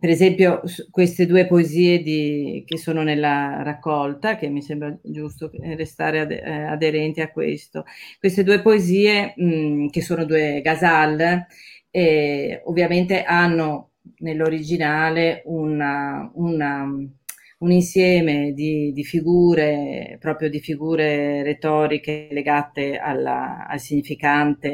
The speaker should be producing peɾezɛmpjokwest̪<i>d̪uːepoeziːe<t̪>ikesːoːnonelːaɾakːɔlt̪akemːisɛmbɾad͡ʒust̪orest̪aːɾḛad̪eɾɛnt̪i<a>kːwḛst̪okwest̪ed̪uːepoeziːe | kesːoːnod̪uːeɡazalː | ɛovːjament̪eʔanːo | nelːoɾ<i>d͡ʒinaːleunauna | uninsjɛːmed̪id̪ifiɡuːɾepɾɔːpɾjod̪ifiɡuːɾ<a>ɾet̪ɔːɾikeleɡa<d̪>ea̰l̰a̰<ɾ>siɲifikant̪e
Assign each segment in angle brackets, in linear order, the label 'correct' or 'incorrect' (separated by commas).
incorrect, incorrect, correct, correct, incorrect, incorrect, incorrect